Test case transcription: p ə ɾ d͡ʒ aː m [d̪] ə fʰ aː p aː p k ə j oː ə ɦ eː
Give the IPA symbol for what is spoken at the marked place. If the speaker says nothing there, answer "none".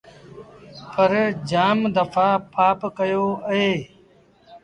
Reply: d̪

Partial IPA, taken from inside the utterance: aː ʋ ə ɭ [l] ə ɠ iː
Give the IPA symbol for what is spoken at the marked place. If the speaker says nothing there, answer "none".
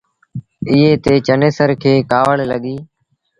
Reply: l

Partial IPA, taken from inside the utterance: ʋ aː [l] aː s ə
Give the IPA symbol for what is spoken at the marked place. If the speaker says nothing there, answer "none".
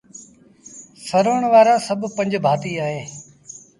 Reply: ɾ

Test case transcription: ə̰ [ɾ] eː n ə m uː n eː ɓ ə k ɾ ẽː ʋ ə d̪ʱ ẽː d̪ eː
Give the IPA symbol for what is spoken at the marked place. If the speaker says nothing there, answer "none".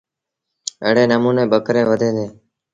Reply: ɽ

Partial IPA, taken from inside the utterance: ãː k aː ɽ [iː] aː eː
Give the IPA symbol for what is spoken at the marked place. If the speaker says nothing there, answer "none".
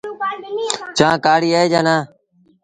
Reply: iː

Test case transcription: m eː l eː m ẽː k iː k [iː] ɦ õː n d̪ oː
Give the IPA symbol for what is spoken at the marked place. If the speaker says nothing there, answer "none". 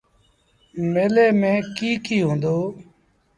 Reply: iː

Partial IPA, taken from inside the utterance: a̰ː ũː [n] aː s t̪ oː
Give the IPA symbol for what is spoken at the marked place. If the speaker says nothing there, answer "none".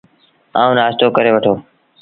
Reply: n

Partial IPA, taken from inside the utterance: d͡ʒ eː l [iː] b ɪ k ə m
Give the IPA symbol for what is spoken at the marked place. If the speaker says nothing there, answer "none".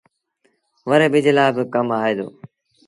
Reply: aː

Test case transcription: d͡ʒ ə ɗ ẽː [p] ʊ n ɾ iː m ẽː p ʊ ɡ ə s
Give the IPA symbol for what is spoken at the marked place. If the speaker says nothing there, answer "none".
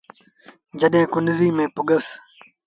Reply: k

